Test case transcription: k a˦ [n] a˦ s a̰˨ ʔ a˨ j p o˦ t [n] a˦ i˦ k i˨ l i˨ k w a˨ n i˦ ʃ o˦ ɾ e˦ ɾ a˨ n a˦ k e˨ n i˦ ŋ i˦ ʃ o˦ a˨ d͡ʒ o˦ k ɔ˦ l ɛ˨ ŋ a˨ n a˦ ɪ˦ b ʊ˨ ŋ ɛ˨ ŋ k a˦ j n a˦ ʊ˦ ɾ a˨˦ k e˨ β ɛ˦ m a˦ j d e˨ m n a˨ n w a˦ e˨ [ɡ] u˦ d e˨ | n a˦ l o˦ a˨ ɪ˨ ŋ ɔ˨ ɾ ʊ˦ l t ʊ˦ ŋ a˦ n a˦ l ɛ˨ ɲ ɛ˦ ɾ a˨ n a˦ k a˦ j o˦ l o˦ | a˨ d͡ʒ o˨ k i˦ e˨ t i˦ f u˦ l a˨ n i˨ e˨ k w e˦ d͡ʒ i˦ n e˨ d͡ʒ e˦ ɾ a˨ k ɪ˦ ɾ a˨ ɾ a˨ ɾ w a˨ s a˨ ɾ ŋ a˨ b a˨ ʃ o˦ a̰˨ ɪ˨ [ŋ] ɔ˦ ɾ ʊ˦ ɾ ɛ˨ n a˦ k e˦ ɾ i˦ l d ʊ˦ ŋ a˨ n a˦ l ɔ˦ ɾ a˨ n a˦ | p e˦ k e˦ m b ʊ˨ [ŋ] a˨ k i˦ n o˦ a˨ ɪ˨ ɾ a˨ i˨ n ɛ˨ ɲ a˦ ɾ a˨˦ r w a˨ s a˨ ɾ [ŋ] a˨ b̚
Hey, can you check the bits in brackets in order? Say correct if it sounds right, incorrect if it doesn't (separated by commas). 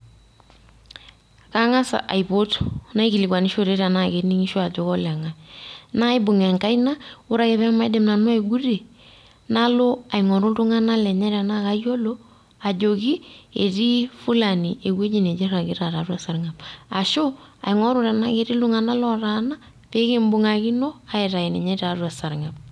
incorrect, correct, correct, correct, correct, correct